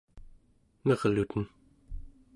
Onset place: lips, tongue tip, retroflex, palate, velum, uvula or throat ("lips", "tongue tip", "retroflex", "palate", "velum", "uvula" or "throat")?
tongue tip